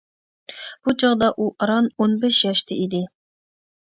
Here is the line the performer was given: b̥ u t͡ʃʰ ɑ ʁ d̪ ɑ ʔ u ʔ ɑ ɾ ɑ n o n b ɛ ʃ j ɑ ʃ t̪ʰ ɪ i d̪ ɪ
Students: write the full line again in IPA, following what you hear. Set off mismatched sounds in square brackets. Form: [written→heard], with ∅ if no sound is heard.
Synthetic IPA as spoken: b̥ u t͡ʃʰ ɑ ʁ d̪ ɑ ʔ u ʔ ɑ ɾ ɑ n o n b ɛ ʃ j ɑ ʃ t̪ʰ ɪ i d̪ ɪ